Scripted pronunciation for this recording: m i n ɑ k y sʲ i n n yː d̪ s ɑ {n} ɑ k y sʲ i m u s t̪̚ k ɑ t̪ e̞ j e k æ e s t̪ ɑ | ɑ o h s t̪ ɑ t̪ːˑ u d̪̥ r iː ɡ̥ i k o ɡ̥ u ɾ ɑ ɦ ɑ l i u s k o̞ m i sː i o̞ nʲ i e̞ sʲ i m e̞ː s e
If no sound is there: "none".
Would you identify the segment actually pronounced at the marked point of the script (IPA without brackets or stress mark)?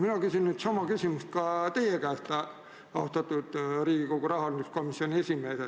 m